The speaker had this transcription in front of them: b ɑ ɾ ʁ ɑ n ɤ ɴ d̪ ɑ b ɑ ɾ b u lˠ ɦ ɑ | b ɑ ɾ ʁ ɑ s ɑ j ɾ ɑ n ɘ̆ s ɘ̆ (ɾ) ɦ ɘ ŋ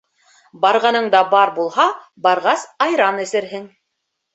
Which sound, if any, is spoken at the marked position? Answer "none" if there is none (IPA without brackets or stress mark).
ɾ